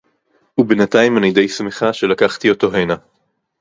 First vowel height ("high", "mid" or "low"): high